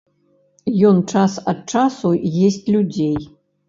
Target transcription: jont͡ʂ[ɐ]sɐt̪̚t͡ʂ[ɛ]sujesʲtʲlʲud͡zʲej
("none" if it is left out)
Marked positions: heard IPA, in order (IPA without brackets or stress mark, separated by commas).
a, a